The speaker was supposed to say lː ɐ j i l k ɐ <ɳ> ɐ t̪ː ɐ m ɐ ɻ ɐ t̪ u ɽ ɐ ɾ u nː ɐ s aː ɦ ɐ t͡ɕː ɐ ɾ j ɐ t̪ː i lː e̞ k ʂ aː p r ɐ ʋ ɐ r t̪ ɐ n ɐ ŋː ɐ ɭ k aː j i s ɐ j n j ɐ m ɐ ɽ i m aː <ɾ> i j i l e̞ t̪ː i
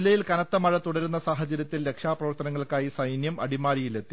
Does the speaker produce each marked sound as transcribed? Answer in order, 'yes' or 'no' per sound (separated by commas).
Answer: no, yes